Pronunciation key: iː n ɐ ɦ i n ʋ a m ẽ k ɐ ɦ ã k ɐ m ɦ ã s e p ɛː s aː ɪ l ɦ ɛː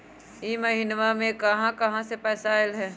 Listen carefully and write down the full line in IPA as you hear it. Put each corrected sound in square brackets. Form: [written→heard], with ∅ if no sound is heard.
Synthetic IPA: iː [n→m] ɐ ɦ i n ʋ a m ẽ k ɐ ɦ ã k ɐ [m→∅] ɦ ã s e p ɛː s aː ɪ l ɦ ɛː